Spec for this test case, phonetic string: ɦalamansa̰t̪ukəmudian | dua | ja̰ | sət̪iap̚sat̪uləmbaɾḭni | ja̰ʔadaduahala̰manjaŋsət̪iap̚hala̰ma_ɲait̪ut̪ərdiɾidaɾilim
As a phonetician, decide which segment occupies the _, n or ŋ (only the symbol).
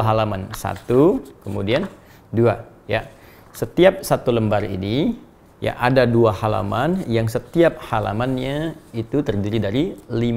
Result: n